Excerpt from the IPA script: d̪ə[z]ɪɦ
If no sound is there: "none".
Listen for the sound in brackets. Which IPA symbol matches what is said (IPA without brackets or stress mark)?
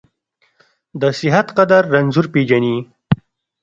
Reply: s